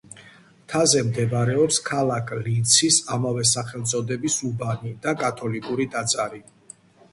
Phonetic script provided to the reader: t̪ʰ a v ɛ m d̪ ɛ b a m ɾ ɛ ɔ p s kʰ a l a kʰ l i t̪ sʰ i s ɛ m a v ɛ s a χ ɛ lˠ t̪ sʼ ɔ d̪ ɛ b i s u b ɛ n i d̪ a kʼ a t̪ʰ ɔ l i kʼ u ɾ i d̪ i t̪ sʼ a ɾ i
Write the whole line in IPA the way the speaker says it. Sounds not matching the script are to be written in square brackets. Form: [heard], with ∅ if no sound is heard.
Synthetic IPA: t̪ʰ a [z] ɛ m d̪ ɛ b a [∅] ɾ ɛ ɔ p s kʰ a l a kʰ l i t̪ sʰ i s [a] m a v ɛ s a χ ɛ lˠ t̪ sʼ ɔ d̪ ɛ b i s u b [a] n i d̪ a kʼ a t̪ʰ ɔ l i kʼ u ɾ i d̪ [a] t̪ sʼ a ɾ i